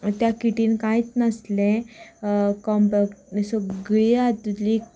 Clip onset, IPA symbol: t̪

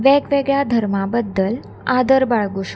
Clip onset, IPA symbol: ʋ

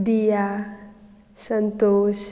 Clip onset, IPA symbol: d̪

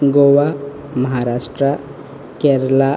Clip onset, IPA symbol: ɡ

